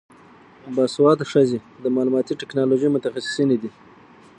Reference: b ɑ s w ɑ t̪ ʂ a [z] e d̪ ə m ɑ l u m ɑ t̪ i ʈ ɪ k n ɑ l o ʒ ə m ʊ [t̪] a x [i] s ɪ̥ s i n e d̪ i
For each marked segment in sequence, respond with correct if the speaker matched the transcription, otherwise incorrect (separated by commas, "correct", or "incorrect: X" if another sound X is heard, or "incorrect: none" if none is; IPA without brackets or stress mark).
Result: correct, correct, incorrect: a